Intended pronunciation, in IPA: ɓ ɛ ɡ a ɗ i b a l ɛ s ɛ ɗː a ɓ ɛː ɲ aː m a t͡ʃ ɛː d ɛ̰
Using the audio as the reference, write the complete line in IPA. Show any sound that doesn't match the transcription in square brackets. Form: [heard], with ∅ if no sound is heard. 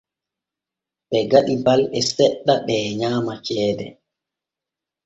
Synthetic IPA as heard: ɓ ɛ ɡ a ɗ i b a l ɛ s ɛ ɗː a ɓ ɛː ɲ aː m a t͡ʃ ɛː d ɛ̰